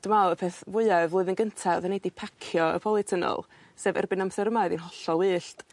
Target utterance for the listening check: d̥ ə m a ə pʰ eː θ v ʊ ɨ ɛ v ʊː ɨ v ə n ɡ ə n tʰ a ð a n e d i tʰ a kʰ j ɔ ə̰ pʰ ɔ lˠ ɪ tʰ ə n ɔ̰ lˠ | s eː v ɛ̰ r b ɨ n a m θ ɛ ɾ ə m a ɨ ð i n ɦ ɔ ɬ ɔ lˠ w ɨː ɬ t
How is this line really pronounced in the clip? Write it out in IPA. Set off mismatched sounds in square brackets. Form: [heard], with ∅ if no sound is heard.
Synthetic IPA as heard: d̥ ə m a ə pʰ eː θ v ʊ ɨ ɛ v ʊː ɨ [ð] ə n ɡ ə n tʰ a ð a n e d i [pʰ] a kʰ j ɔ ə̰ pʰ ɔ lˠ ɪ tʰ ə n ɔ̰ lˠ | s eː v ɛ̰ r b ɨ n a m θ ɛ ɾ ə m a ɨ ð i n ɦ ɔ ɬ ɔ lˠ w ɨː ɬ t